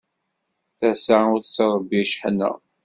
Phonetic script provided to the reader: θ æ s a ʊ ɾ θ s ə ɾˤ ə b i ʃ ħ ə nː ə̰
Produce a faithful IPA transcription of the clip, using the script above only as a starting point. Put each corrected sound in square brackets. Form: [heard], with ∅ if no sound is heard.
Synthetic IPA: θ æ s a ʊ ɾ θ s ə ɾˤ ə b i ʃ ħ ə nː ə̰